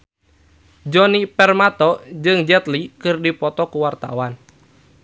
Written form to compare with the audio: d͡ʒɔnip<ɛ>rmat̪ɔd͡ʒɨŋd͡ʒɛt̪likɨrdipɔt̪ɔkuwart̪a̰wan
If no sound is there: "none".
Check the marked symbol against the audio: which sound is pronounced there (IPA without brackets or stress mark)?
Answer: ɛ